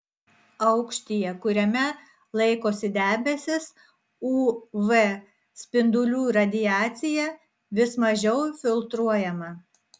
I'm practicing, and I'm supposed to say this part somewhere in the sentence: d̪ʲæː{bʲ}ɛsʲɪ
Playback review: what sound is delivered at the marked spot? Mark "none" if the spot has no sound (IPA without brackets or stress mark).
bʲ